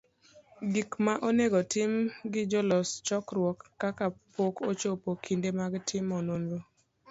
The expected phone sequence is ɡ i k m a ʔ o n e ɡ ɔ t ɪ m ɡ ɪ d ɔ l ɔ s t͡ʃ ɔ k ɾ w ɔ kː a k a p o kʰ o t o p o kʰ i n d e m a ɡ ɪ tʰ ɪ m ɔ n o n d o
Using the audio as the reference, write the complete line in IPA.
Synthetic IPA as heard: ɡ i k m a ʔ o n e ɡ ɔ t ɪ m ɡ ɪ d͡ʒ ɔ l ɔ s t͡ʃ ɔ k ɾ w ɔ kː a k a p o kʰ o t͡ʃ o p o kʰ i n d e m a ɡ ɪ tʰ ɪ m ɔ n o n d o